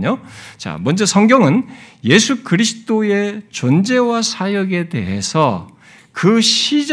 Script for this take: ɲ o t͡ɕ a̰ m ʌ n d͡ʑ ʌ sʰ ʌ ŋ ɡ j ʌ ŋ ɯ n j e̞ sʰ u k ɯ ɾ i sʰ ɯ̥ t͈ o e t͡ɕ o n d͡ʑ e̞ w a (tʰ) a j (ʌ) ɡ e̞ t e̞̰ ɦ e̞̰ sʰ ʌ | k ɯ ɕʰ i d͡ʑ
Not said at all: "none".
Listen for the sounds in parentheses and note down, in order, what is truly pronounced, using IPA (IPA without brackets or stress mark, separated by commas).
sʰ, ʌ